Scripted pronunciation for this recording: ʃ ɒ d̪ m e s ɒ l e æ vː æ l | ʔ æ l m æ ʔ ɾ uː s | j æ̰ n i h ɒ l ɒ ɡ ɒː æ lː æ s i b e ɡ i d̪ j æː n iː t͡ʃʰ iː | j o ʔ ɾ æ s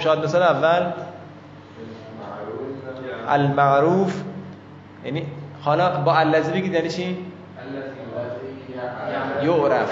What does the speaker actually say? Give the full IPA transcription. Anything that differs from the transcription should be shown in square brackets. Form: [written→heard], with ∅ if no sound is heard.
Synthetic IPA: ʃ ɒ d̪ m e s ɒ l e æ vː æ l | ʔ æ l m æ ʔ ɾ uː [s→f] | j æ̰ n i h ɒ l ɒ [ɡ→b] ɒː æ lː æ [s→z] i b e ɡ i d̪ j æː n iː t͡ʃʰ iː | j o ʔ ɾ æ [s→f]